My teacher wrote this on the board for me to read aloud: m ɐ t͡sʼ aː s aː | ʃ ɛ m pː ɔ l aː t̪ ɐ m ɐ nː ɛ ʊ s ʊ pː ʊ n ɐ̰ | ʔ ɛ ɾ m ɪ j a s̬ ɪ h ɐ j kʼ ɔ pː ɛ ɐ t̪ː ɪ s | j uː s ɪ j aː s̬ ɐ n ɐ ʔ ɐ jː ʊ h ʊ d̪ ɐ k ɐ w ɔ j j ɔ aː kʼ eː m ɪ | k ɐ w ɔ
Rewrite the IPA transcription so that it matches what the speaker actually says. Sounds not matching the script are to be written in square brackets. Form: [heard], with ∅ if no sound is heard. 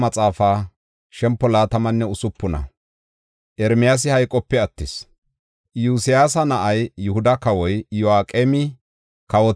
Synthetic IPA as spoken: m ɐ t͡sʼ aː [f] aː | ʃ ɛ m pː ɔ l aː t̪ ɐ m ɐ nː ɛ ʊ s ʊ pː ʊ n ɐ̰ | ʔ ɛ ɾ m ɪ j a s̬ ɪ h ɐ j kʼ ɔ pː ɛ ɐ t̪ː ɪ s | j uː s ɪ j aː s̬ ɐ n ɐ ʔ ɐ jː ʊ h ʊ d̪ ɐ k ɐ w ɔ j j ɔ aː kʼ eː m ɪ | k ɐ w ɔ